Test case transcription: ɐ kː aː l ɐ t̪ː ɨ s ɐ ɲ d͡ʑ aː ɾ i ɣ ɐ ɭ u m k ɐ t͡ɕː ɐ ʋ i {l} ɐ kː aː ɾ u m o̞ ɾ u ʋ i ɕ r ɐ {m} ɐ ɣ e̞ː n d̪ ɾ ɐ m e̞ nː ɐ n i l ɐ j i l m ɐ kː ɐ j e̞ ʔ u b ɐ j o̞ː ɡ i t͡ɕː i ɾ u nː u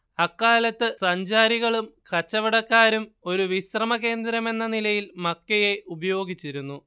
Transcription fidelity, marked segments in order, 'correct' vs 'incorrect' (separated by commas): incorrect, correct